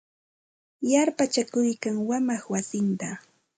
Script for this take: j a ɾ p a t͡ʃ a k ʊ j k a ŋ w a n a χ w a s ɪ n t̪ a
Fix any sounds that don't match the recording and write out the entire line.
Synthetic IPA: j a ɾ p a t͡ʃ a k ʊ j k a ŋ w a m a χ w a s ɪ n t̪ a

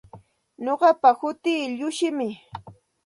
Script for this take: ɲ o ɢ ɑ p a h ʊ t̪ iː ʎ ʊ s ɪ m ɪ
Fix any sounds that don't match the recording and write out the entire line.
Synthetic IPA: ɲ o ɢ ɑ p a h ʊ t̪ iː ʎ ʊ ʃ ɪ m ɪ

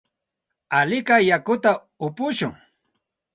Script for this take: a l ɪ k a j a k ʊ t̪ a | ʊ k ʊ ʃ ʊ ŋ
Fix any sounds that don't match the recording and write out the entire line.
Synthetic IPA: a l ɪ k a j a k ʊ t̪ a | ʊ p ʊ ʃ ʊ ŋ

